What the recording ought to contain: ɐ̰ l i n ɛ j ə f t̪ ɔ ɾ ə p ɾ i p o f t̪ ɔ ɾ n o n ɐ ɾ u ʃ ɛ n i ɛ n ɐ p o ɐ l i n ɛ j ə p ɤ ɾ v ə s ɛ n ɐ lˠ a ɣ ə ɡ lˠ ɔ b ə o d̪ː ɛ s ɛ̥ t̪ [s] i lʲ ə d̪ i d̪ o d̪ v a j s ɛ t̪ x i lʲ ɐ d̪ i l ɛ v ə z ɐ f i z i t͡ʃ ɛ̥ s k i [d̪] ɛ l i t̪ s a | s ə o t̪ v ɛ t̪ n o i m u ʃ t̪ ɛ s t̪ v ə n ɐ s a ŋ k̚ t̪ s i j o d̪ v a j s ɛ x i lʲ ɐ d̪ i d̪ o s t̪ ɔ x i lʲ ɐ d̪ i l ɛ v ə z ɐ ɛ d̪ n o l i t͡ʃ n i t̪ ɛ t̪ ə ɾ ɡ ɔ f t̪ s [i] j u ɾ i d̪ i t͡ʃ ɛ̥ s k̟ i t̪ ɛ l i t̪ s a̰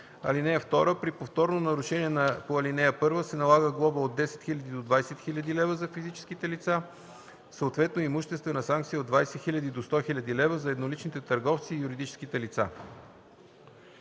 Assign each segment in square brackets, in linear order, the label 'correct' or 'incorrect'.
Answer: incorrect, incorrect, incorrect

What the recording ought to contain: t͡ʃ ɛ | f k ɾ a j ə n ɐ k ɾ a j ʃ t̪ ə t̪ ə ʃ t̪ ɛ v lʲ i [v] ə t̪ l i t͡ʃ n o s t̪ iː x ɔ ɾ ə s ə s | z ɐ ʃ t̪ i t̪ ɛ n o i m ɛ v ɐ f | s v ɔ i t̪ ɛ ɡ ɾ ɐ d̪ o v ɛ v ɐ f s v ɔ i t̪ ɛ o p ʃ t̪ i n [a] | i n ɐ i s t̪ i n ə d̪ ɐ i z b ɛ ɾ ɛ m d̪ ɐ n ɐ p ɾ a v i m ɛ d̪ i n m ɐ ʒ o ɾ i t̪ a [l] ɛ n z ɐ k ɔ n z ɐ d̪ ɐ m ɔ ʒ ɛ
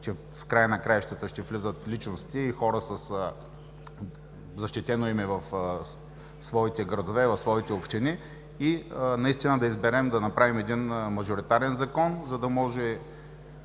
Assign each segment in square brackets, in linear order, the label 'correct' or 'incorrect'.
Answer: incorrect, incorrect, incorrect

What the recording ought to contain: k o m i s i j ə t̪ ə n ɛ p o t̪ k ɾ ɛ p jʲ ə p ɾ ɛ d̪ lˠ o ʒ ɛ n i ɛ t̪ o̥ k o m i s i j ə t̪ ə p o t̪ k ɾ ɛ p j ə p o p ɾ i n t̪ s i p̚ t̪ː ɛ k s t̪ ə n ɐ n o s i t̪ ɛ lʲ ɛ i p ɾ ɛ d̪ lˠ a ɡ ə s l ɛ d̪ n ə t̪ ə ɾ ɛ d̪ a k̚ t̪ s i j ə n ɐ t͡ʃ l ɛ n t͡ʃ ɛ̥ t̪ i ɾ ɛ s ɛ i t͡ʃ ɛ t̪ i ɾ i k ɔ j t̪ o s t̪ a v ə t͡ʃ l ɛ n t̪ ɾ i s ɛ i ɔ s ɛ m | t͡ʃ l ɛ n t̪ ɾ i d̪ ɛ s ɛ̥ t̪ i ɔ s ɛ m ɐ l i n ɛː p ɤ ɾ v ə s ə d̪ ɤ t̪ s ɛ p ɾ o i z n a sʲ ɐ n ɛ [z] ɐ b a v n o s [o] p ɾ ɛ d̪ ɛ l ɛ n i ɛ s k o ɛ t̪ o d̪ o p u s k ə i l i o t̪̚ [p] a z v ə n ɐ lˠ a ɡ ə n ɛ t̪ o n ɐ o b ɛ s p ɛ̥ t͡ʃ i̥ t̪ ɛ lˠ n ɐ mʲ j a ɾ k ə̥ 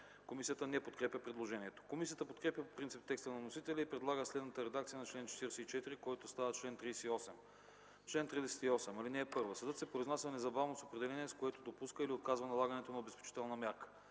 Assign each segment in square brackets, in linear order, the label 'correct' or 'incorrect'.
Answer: correct, correct, incorrect

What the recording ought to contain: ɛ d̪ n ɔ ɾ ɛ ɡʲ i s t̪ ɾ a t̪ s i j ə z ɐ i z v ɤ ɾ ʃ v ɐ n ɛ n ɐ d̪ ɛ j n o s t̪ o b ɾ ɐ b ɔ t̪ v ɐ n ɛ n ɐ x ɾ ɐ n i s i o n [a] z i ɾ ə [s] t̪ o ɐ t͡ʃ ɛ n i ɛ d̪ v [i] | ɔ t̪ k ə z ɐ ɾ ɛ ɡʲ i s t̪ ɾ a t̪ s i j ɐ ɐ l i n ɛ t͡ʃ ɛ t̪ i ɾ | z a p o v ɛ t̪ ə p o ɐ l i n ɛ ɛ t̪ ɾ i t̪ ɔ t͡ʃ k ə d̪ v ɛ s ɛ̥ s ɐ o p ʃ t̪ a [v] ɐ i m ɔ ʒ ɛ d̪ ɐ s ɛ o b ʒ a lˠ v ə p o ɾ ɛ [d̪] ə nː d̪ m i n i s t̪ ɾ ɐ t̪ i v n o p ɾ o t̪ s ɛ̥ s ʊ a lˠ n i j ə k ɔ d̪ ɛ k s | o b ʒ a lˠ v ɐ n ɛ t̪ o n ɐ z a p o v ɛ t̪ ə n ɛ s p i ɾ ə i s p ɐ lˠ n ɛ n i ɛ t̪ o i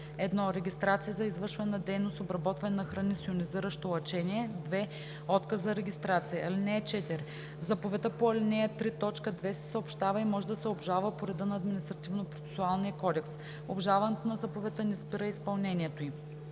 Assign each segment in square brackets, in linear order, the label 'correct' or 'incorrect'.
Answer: incorrect, incorrect, incorrect, correct, correct

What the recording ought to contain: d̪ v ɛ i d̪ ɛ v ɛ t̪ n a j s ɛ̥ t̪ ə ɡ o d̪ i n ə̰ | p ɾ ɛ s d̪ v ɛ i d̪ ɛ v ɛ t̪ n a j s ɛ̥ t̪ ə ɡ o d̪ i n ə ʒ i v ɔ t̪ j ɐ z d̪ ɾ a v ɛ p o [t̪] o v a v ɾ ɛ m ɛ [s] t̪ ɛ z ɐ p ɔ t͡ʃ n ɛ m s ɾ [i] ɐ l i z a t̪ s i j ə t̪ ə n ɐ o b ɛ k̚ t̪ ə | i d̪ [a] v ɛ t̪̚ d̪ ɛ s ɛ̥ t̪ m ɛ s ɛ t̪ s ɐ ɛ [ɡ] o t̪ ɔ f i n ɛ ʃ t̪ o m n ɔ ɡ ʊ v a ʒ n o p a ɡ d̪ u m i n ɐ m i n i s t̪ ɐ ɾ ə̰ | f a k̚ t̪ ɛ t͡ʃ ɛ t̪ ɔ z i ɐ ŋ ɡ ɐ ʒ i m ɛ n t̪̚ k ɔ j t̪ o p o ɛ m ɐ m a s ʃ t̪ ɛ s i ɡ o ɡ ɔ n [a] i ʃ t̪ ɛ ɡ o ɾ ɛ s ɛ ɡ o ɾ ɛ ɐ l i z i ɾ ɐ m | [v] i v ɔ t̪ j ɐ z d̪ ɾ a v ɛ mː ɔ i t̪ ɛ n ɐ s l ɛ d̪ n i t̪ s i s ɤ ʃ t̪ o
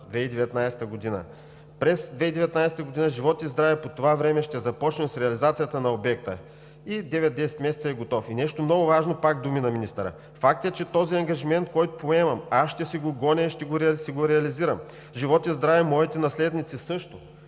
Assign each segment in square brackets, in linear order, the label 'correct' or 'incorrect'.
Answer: correct, incorrect, incorrect, incorrect, correct, incorrect, incorrect

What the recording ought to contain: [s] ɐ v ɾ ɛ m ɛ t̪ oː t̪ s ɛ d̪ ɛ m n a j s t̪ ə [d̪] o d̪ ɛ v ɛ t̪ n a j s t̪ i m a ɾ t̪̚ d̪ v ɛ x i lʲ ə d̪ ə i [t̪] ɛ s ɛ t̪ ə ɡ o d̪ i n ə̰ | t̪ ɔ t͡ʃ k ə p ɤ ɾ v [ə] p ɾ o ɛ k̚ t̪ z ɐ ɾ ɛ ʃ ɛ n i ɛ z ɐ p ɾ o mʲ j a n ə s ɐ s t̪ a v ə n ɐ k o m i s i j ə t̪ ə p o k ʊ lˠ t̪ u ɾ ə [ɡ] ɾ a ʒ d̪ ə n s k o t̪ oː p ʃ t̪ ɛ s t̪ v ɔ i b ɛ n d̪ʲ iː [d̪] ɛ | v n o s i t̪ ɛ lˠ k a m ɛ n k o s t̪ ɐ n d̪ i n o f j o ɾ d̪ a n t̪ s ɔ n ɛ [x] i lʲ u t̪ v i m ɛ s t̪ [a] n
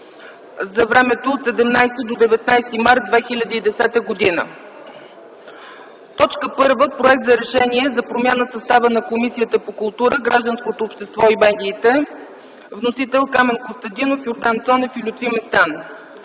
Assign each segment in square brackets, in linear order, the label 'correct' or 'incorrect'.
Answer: incorrect, correct, incorrect, correct, correct, incorrect, incorrect, correct

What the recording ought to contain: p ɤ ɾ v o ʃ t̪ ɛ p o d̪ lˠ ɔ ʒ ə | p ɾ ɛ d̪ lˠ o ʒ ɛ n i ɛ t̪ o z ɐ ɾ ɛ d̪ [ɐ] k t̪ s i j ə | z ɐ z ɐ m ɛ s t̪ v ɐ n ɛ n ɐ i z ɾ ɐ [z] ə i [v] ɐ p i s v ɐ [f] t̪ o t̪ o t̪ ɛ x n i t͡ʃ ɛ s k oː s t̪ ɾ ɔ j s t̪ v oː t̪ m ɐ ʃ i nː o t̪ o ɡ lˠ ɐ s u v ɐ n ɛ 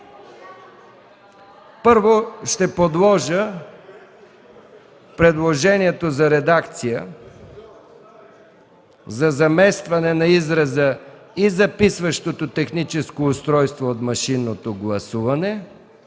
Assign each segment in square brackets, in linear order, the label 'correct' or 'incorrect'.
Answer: incorrect, correct, incorrect, incorrect

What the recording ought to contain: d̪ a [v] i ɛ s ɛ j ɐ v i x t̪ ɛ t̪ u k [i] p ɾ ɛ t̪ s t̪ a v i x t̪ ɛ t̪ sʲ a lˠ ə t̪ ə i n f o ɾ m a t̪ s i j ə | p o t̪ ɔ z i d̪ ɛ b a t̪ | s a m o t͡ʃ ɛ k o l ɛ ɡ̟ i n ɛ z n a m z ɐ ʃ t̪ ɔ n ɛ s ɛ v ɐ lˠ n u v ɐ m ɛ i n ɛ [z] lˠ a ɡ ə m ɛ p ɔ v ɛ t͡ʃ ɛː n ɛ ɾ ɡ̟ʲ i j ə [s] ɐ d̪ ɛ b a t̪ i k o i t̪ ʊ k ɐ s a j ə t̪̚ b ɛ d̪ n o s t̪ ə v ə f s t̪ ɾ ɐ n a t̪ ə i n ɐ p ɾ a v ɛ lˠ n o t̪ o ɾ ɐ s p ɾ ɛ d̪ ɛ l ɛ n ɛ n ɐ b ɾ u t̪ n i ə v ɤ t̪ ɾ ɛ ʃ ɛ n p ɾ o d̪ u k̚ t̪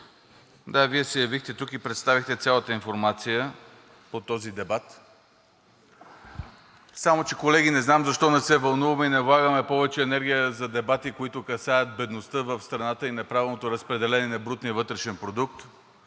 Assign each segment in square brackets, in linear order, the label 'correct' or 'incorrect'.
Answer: correct, correct, incorrect, incorrect

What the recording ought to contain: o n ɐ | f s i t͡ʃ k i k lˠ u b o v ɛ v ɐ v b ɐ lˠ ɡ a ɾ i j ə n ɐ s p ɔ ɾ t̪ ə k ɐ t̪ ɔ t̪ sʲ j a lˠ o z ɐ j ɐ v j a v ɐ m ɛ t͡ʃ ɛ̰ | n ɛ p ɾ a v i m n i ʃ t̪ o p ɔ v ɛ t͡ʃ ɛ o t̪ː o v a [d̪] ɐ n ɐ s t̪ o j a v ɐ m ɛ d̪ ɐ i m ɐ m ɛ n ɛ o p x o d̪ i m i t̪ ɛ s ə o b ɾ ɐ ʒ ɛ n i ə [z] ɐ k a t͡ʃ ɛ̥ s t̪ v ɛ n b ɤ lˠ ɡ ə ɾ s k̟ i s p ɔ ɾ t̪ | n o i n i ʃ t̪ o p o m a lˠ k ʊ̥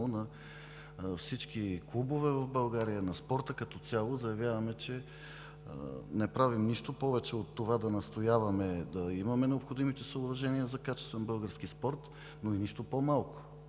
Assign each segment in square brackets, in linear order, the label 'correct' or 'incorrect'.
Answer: correct, correct

